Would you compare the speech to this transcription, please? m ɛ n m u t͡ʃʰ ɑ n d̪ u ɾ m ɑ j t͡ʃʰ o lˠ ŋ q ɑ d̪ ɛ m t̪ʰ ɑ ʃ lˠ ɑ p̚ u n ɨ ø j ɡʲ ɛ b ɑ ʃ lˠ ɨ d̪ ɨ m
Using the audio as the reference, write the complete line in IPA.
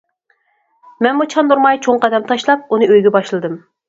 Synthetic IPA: m ɛ n m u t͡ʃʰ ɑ n d̪ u ɾ m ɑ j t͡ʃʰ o ŋ q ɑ d̪ ɛ m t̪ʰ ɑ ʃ lˠ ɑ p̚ u n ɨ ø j ɡʲ ɛ b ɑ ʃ lˠ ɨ d̪ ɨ m

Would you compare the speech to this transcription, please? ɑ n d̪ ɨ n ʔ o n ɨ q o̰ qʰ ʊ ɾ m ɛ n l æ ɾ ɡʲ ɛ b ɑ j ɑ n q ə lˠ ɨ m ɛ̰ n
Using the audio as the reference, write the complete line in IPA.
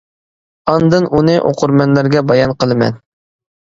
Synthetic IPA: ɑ n d̪ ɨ n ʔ u n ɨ ʔ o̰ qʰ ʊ ɾ m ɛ n l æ ɾ ɡʲ ɛ b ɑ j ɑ n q ə lˠ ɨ m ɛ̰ n

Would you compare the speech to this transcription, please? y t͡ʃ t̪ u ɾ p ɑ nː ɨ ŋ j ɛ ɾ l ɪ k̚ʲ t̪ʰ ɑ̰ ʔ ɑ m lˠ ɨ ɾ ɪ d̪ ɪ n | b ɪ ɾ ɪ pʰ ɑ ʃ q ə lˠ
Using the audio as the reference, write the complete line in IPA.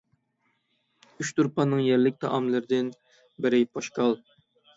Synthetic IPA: y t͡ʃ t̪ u ɾ p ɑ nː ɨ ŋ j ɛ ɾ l ɪ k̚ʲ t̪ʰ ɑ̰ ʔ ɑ m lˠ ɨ ɾ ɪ d̪ ɪ n | b ɪ ɾ ɪ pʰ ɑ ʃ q ɑ lˠ

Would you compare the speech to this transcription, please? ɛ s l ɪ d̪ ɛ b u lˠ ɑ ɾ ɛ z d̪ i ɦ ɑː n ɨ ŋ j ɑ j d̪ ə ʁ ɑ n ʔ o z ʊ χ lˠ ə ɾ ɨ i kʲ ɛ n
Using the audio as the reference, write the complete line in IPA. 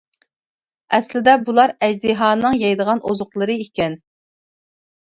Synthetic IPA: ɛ s l ɪ d̪ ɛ b u lˠ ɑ ɾ ɛ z d̪ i ɦ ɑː n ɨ ŋ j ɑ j d̪ ə ʁ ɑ n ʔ o z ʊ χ lˠ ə ɾ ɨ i kʲ ɛ n

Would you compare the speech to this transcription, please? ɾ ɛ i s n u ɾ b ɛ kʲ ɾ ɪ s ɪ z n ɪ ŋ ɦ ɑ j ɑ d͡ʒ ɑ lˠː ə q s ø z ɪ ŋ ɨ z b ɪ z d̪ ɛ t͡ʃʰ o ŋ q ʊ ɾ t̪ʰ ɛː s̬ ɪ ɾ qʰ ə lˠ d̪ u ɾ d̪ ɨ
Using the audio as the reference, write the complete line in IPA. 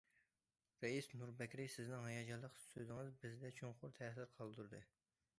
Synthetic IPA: ɾ ɛ i s n u ɾ b ɛ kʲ ɾ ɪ s ɪ z n ɪ ŋ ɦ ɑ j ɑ d͡ʒ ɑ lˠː ə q s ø z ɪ ŋ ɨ z b ɪ z d̪ ɛ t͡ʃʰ o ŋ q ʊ ɾ t̪ʰ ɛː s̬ ɪ ɾ qʰ ɑ lˠ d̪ u ɾ d̪ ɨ

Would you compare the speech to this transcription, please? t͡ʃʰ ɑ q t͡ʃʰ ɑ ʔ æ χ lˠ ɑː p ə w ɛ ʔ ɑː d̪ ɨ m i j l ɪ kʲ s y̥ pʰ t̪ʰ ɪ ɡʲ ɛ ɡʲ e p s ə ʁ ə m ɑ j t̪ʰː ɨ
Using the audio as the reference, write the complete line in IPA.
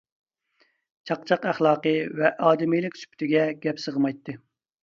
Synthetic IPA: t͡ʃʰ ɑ q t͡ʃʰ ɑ q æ χ lˠ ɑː q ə v ɛ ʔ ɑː d̪ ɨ m i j l ɪ kʲ s y̥ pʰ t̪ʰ ɪ ɡʲ ɛ ɡʲ ɛ p s ə ʁ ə m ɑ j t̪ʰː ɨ

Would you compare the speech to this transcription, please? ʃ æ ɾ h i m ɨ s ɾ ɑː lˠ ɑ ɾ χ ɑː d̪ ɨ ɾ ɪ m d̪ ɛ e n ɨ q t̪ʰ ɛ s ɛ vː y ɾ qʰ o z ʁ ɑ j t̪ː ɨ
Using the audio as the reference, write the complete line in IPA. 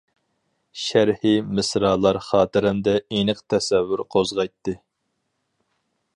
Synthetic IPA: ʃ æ ɾ h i m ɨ s ɾ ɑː lˠ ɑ ɾ χ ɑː t̪ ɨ ɾ ɪ m d̪ ɛ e n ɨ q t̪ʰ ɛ s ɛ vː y ɾ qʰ o z ʁ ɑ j t̪ː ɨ

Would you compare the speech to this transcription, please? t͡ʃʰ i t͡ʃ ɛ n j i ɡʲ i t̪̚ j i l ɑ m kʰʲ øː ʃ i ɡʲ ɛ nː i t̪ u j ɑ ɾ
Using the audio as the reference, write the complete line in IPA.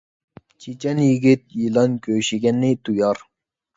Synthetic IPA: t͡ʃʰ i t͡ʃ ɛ n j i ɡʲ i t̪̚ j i l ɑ n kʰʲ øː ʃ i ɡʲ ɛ nː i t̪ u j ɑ ɾ

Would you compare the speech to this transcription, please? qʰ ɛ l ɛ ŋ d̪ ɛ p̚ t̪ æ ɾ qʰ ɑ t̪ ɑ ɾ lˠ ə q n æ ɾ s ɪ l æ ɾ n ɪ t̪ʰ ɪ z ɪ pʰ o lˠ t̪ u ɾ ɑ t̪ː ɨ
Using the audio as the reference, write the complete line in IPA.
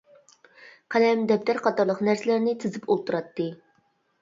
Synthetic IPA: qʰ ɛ l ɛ m d̪ ɛ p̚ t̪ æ ɾ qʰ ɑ t̪ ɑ ɾ lˠ ə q n æ ɾ s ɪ l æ ɾ n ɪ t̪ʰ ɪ z ɪ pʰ o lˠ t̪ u ɾ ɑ t̪ː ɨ

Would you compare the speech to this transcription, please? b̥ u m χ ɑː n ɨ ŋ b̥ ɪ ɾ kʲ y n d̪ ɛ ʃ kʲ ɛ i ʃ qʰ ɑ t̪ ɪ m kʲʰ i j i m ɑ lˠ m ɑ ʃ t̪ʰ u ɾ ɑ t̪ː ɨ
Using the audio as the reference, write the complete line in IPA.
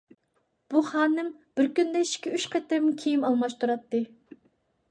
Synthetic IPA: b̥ u χ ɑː n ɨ m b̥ ɪ ɾ kʲ y n d̪ ɛ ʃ kʲ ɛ y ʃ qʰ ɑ t̪ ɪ m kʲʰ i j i m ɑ lˠ m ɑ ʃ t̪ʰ u ɾ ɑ t̪ː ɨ

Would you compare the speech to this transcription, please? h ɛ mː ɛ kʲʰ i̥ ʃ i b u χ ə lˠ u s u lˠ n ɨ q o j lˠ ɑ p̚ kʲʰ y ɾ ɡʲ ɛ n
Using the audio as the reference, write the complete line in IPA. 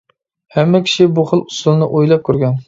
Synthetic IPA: h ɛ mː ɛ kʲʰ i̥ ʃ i b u χ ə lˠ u s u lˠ n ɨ ʔ o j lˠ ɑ p̚ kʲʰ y ɾ ɡʲ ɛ n

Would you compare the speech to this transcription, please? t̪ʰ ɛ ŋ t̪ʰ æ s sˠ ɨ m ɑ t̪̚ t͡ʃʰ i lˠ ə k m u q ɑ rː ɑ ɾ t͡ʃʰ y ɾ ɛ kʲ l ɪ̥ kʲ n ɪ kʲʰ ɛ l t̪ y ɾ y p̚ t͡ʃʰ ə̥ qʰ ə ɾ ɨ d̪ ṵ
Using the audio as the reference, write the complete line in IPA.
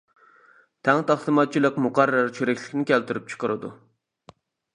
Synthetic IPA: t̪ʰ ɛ ŋ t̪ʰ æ χ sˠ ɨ m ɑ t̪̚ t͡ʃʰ i lˠ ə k m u q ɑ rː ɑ ɾ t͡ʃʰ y ɾ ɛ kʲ l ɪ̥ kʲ n ɪ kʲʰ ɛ l t̪ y ɾ y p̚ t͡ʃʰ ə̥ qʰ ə ɾ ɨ d̪ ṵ

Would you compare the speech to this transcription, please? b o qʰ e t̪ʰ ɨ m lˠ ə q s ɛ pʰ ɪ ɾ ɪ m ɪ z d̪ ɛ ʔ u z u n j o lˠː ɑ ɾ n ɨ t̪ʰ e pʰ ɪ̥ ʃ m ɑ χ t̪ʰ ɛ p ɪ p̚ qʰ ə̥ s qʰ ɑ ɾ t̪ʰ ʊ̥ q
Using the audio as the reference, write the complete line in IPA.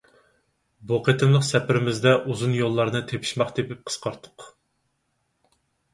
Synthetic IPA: b o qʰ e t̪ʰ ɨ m lˠ ə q s ɛ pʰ ɪ ɾ ɪ m ɪ z d̪ ɛ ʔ u z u n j o lˠː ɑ ɾ n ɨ t̪ʰ e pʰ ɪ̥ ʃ m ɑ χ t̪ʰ e p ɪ p̚ qʰ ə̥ s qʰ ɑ ɾ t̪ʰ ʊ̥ q

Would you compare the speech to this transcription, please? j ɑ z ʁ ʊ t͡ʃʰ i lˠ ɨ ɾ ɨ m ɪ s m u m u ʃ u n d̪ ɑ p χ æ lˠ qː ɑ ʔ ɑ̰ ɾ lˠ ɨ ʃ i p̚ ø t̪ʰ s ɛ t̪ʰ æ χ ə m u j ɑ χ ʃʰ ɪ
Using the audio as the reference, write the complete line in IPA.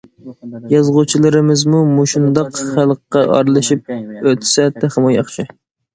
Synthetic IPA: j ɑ z ʁ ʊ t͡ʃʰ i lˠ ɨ ɾ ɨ m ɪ z m u m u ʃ u n d̪ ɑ q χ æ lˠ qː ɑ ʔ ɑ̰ ɾ lˠ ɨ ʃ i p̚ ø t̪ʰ s ɛ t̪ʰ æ χ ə m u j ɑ χ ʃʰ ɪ

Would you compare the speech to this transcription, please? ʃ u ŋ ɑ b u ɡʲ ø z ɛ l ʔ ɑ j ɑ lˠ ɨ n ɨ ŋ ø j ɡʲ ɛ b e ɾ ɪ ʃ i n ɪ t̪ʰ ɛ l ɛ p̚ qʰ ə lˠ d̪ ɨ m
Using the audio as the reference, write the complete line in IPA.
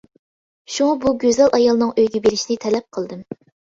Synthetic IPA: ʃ u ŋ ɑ b u ɡʲ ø z ɛ l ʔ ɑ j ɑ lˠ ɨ n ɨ ŋ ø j ɡʲ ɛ b e ɾ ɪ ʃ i n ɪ t̪ʰ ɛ l ɛ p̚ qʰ ə lˠ d̪ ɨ m

